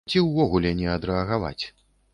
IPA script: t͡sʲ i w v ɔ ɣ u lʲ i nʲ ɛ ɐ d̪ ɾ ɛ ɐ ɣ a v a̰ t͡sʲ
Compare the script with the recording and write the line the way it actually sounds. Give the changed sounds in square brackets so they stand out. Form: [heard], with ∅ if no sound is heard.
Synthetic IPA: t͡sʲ i w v ɔ ɣ u lʲ [ɛ] nʲ ɛ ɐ d̪ ɾ ɛ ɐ ɣ a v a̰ t͡sʲ